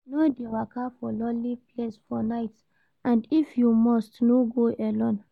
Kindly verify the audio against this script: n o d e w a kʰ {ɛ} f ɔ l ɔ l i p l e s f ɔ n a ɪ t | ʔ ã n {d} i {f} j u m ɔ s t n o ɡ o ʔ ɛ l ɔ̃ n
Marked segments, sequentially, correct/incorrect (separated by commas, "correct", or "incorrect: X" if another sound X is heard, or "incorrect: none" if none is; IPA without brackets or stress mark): incorrect: a, correct, correct